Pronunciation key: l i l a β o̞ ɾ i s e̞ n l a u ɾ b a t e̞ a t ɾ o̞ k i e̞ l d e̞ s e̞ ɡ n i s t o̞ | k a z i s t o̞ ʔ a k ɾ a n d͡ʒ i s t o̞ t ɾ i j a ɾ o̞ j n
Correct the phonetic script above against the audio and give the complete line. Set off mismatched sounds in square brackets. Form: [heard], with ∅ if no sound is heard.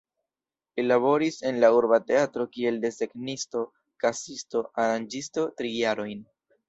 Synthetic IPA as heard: l i l a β o̞ ɾ i s e̞ n l a u ɾ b a t e̞ a t ɾ o̞ k i e̞ l d e̞ s e̞ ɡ n i s t o̞ | k a [s] i s t o̞ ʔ a [∅] ɾ a n d͡ʒ i s t o̞ t ɾ i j a ɾ o̞ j n

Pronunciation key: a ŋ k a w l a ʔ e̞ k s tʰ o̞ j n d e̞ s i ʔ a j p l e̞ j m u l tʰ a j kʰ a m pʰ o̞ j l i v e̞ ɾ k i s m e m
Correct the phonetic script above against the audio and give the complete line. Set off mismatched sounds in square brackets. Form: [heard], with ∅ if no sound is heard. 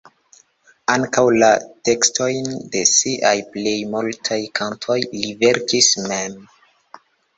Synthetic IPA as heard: a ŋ k a w l a [t] e̞ k s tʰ o̞ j n d e̞ s i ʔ a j p l e̞ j m u l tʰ a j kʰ a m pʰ o̞ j l i v e̞ ɾ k i s m e m

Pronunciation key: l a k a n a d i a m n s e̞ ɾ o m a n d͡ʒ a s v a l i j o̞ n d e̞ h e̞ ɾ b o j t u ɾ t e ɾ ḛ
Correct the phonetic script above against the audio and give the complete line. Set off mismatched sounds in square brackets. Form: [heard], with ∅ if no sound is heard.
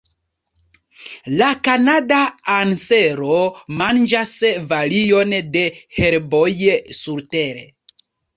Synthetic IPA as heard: l a k a n a d [a] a [∅] n s e̞ ɾ o m a n d͡ʒ a s v a l i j o̞ n d e̞ h e̞ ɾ b o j [s] u ɾ t e ɾ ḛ

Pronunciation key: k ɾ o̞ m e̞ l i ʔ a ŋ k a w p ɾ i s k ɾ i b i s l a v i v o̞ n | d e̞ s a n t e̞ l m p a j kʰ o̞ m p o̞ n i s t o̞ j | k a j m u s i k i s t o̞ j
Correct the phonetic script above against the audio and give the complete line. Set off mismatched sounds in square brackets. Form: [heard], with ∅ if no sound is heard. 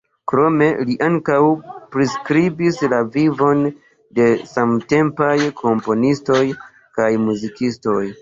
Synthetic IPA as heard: k ɾ o̞ m e̞ l i ʔ a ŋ k a w p ɾ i s k ɾ i b i s l a v i v o̞ n | d e̞ s a [m] t e̞ [∅] m p a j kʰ o̞ m p o̞ n i s t o̞ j | k a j m u [z] i k i s t o̞ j

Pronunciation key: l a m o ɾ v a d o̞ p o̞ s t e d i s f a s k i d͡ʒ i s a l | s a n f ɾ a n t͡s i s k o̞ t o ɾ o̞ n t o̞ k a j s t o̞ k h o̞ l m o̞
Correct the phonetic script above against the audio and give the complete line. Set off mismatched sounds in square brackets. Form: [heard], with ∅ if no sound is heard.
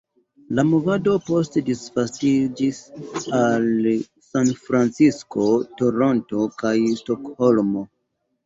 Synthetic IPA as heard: l a m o [∅] v a d o̞ p o̞ s t e d i s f a s [t] i d͡ʒ i s a l | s a n f ɾ a n t͡s i s k o̞ t o ɾ o̞ n t o̞ k a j s t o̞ k h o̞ l m o̞

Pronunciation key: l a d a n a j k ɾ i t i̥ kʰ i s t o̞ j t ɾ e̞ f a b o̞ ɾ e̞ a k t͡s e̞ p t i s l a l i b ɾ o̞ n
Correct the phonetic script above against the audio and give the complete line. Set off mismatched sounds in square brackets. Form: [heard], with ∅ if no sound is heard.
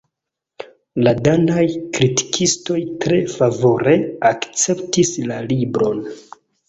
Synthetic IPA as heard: l a d a n a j k ɾ i t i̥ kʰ i s t o̞ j t ɾ e̞ f a [v] o̞ ɾ e̞ a k t͡s e̞ p t i s l a l i b ɾ o̞ n

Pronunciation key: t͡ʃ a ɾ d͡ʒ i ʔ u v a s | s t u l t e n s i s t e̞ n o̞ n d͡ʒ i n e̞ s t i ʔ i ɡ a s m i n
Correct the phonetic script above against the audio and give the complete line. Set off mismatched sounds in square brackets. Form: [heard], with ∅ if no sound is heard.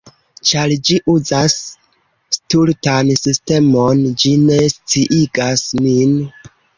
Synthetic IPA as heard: t͡ʃ a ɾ d͡ʒ i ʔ u [z] a s | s t u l t [a] n s i s t e̞ [m] o̞ n d͡ʒ i n e̞ s [t͡s] i ʔ i ɡ a s m i n

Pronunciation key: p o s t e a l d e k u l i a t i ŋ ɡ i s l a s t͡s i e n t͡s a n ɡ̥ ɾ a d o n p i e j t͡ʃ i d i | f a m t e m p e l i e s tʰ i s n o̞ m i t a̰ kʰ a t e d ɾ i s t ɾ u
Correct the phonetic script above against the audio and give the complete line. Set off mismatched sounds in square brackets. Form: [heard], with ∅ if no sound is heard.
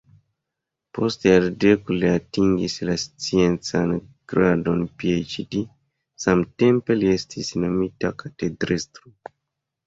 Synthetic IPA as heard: p o s t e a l d e k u l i a t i ŋ ɡ i s l a s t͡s i e n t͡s a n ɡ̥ ɾ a d o n p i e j t͡ʃ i d i | [s] a m t e m p e l i e s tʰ i s n o̞ m i t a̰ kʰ a t e d ɾ i s t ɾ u

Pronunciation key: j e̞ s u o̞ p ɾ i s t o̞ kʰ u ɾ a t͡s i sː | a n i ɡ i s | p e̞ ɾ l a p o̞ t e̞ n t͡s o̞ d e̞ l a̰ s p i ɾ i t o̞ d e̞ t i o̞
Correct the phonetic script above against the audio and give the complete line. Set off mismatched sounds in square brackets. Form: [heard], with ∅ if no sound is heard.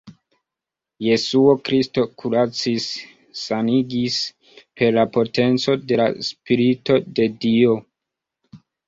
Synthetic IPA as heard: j e̞ s u o̞ [k] ɾ i s t o̞ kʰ u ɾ a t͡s i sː | a n i ɡ i s | p e̞ ɾ l a p o̞ t e̞ n t͡s o̞ d e̞ l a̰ s p i ɾ i t o̞ d e̞ [d] i o̞

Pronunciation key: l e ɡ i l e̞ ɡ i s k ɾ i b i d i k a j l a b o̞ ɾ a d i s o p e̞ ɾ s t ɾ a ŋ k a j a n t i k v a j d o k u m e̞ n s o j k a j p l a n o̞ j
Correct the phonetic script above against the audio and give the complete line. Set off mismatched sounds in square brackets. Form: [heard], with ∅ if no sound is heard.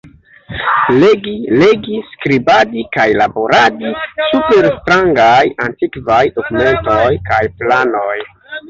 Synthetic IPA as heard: l e ɡ i l e̞ ɡ i s k ɾ i b [a] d i k a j l a b o̞ ɾ a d i s [u] p e̞ ɾ s t ɾ a ŋ [ɡ] a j a n t i k v a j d o k u m e̞ n [t] o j k a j p l a n o̞ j

